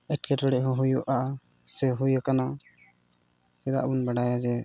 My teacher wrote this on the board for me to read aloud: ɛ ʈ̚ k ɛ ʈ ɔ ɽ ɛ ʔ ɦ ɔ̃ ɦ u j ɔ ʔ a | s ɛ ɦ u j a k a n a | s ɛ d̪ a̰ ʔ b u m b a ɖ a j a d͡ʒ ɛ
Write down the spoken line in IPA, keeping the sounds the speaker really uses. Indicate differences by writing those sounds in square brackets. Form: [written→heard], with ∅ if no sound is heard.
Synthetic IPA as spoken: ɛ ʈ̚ k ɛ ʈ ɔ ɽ ɛ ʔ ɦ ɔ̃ ɦ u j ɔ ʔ a | s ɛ ɦ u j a k a n a | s ɛ d̪ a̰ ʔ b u [m→n] b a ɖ a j a d͡ʒ ɛ